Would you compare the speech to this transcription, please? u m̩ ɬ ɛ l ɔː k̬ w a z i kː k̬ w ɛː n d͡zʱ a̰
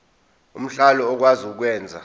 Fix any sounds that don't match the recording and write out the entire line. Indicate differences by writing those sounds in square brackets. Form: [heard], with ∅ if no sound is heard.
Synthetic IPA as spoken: u m̩ ɬ [a] l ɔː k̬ w a z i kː k̬ w ɛː n d͡zʱ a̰